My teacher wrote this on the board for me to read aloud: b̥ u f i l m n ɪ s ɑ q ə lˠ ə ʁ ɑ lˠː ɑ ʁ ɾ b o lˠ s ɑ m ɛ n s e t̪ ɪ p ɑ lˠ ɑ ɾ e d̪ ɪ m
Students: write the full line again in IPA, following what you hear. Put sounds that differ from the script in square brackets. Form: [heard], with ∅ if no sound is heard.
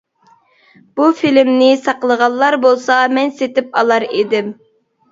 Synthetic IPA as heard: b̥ u f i l m n ɪ s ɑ q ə lˠ ə ʁ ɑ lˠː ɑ [∅] ɾ b o lˠ s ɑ m ɛ n s e t̪ ɪ p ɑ lˠ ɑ ɾ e d̪ ɪ m